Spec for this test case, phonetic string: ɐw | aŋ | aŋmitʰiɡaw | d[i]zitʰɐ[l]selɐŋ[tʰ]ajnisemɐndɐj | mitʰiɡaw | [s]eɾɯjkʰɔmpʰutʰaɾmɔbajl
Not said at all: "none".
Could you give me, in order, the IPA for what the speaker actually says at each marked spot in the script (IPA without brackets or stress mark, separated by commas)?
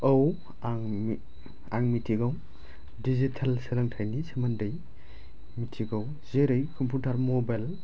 i, l, tʰ, z